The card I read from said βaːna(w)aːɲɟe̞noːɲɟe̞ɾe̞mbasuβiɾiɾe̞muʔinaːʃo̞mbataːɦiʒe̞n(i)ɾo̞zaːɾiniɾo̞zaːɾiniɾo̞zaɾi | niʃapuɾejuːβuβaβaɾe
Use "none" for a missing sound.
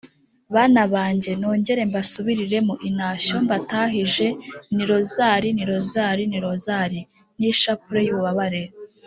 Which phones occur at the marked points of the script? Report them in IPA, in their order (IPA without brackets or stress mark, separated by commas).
β, i